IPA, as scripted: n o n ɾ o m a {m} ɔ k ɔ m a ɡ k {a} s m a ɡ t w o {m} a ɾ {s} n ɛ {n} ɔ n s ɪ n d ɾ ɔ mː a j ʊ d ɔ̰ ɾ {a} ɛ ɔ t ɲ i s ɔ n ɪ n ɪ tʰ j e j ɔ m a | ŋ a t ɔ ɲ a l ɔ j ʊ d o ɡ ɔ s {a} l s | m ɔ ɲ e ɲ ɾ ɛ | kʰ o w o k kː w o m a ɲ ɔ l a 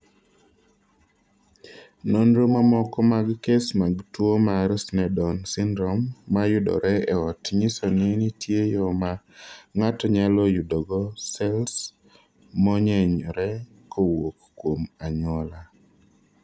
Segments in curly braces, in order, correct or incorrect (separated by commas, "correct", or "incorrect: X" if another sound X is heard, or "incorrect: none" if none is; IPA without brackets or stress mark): correct, incorrect: e, correct, correct, incorrect: d, incorrect: ɛ, incorrect: ɛ